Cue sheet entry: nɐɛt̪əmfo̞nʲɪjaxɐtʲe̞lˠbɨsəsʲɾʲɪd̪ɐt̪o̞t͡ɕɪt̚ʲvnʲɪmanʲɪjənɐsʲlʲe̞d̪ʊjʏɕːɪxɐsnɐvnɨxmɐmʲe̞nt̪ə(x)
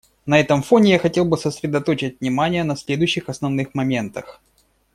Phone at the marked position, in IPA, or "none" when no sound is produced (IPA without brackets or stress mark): x